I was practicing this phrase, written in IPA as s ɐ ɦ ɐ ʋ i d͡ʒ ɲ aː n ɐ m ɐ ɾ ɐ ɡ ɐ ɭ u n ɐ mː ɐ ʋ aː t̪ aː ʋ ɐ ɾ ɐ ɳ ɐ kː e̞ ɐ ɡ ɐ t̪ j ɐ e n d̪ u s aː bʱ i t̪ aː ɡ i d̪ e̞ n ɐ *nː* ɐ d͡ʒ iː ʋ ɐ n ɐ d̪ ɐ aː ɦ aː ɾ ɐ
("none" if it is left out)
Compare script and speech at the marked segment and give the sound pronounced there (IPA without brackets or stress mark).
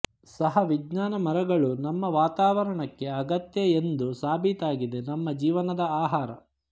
mː